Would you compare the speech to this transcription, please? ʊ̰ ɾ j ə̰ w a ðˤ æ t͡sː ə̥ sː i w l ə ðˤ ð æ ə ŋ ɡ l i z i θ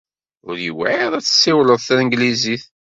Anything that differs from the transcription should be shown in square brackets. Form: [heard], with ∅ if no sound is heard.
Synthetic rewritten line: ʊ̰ ɾ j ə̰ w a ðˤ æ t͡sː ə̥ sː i w l ə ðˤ [θ] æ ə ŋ ɡ l i z i θ